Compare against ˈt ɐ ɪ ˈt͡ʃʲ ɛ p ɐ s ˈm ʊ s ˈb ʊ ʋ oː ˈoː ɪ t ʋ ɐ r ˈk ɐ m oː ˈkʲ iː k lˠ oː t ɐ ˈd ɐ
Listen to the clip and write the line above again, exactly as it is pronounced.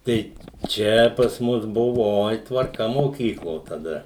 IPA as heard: ˈt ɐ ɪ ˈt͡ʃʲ ɛ p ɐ s ˈm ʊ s ˈb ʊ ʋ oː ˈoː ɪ t ʋ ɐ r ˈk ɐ m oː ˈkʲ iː k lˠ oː t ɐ ˈd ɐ